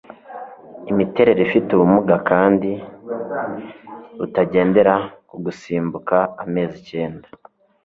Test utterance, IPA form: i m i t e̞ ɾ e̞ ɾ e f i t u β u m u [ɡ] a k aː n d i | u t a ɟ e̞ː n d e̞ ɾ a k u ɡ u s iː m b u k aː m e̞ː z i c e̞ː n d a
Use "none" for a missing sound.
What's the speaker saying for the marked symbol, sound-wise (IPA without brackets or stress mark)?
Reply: ɡ